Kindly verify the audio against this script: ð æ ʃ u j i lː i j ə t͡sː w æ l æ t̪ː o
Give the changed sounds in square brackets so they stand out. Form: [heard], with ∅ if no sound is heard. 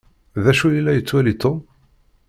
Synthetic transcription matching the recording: ð æ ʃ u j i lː [æ] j ə t͡sː w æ l [i] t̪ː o